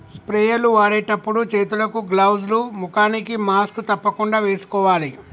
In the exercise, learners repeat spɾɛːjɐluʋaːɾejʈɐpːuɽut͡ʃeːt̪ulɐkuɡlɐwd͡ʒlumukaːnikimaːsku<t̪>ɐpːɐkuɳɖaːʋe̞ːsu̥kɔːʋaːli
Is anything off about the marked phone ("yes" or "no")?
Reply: no